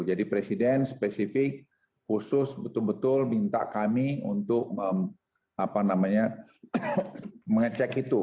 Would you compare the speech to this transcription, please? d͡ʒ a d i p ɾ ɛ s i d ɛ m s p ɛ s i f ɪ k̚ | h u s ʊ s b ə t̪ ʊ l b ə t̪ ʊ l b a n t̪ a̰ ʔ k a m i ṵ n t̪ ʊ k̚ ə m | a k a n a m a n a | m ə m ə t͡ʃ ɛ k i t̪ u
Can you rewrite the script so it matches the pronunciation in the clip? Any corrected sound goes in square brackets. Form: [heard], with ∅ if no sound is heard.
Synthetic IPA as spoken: d͡ʒ a d i p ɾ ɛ s i d ɛ [n] s p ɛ s i f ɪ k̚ | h u s ʊ s b ə t̪ ʊ l b ə t̪ ʊ l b [i] n t̪ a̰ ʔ k a m i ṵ n t̪ ʊ k̚ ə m | a [p] a n a m a [ɲ] a | m ə [ŋ] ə t͡ʃ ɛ k i t̪ u